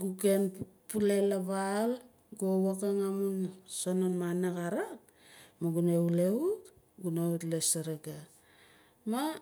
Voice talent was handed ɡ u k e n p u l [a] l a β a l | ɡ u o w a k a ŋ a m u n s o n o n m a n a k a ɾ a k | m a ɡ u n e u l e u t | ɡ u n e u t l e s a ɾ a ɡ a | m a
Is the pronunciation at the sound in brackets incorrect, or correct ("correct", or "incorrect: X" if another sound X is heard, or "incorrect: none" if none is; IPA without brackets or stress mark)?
incorrect: e